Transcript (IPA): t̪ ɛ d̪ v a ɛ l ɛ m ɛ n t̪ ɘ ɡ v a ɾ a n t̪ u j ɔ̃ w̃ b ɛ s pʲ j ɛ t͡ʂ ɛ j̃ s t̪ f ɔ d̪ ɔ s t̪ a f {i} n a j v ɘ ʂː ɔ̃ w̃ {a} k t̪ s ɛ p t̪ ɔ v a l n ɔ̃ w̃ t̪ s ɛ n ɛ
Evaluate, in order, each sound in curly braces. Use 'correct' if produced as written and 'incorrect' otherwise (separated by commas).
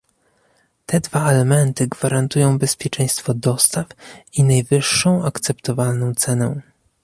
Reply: correct, correct